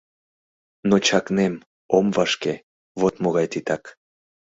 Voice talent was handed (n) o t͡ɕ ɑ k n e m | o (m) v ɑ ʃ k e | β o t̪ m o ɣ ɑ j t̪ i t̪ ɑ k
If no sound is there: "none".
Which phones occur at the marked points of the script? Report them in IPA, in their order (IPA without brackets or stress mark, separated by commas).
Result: n, m